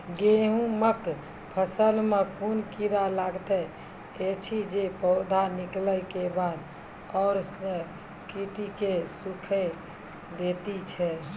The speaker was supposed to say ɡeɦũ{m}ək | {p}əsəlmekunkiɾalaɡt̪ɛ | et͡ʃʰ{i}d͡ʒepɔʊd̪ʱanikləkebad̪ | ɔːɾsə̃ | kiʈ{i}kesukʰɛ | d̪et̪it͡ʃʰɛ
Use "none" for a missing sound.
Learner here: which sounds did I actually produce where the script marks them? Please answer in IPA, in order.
m, pʰ, i, i

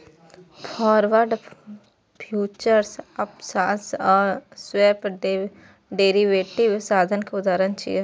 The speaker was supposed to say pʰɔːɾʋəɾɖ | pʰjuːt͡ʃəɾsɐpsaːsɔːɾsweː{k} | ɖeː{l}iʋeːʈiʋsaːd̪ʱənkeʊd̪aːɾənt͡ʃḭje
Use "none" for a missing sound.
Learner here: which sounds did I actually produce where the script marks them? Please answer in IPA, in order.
p, ɾ

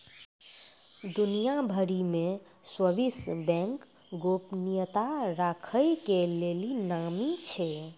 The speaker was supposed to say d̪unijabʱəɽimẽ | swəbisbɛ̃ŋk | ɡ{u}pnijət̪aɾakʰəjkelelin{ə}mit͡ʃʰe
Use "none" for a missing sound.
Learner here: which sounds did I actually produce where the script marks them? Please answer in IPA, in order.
o, a

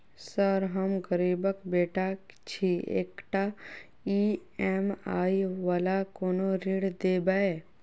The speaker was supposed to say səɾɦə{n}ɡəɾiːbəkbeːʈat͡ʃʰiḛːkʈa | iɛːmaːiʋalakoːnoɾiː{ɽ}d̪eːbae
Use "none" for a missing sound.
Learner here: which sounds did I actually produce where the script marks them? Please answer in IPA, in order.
m, ɽ

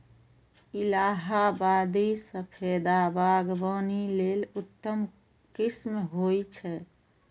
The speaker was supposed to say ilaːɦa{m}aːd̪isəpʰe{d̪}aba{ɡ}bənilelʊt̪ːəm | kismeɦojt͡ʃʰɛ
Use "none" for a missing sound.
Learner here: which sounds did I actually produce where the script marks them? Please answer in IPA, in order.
b, d̪, ɡ

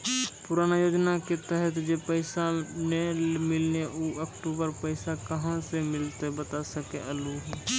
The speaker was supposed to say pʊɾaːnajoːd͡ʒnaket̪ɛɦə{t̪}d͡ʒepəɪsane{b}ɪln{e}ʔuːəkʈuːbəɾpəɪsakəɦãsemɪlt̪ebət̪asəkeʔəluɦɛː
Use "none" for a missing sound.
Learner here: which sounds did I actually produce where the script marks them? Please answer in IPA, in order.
t̪, m, e

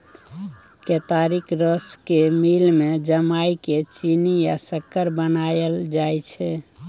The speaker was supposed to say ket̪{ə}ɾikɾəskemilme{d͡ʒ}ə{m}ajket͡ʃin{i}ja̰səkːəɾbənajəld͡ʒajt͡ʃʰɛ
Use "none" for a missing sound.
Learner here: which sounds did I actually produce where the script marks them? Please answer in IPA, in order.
a, d͡ʒ, m, i

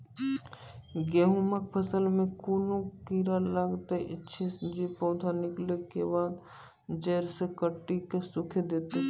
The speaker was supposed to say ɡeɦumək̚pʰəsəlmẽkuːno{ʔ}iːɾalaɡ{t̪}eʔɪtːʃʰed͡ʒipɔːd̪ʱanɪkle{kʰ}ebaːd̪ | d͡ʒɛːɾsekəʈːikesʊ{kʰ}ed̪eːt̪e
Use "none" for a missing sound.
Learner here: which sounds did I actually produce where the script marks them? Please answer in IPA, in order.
k, t̪, k, kʰ

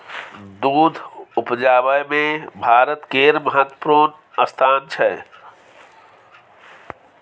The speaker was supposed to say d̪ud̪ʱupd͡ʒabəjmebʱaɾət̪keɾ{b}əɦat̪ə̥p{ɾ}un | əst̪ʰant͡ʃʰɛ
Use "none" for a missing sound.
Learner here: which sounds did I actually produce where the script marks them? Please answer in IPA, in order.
m, ɾ

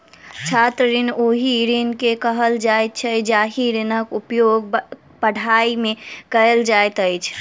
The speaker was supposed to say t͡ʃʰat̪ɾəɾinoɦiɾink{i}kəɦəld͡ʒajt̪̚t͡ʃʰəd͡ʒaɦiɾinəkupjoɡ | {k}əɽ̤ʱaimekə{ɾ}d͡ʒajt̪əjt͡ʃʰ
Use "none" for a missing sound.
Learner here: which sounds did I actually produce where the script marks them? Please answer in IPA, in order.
e, p, l

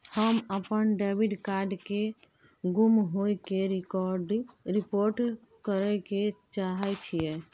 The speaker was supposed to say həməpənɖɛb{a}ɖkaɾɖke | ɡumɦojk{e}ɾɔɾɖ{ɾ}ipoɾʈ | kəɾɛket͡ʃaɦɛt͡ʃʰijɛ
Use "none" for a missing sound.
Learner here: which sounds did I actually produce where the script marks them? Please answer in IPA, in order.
i, e, ɾ

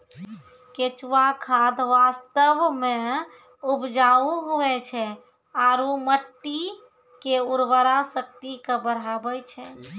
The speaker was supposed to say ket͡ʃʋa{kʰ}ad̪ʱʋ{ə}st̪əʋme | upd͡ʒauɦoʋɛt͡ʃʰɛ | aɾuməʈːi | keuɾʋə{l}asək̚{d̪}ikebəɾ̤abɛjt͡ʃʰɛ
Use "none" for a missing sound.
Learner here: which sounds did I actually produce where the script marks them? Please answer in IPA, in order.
kʰ, a, ɾ, t̪

